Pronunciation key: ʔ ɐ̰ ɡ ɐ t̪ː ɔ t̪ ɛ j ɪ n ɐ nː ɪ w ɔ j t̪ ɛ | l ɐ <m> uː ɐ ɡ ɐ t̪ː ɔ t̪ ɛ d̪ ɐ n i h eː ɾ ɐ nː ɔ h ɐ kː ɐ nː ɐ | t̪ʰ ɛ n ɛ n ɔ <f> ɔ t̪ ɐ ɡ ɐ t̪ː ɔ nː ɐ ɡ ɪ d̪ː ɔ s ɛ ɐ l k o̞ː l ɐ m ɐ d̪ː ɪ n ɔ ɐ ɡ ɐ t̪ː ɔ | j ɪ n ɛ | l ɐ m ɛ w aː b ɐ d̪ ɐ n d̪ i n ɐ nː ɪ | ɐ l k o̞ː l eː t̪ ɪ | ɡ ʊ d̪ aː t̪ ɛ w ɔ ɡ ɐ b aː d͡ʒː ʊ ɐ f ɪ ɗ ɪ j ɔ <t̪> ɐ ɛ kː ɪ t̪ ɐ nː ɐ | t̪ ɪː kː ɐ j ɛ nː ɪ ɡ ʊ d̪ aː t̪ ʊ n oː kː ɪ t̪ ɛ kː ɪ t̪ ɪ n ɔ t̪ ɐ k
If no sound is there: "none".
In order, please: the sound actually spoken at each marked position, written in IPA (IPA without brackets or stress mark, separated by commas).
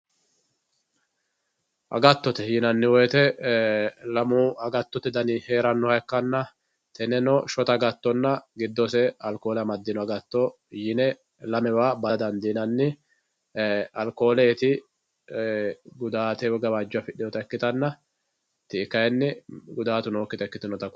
m, ʃ, t̪